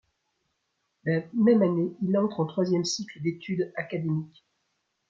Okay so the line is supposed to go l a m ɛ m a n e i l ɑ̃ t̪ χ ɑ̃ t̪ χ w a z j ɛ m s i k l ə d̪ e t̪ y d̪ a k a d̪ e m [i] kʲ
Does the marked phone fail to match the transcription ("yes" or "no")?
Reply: no